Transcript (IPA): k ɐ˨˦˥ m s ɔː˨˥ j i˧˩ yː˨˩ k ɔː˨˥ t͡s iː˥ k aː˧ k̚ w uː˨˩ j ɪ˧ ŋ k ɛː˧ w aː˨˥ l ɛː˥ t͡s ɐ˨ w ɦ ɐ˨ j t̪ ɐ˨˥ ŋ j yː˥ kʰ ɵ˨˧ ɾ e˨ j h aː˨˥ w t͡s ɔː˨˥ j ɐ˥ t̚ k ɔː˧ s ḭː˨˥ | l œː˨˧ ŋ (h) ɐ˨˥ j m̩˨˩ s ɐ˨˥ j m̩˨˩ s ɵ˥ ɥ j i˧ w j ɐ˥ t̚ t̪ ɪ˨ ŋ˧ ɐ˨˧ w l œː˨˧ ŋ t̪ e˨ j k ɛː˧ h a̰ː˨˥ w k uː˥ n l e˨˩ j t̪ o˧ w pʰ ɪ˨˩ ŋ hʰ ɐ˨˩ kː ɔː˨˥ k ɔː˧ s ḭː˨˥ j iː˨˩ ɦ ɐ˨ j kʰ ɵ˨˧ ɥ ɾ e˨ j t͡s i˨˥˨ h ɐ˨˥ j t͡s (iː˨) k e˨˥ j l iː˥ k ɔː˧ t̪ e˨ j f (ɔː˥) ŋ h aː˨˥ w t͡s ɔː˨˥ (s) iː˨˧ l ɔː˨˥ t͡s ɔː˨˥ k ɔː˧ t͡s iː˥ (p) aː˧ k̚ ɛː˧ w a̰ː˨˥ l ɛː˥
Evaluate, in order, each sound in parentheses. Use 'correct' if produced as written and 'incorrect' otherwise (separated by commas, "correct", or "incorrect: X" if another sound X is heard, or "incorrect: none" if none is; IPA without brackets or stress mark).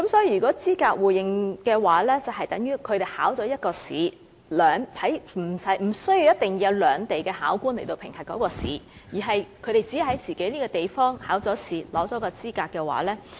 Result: correct, correct, correct, correct, incorrect: k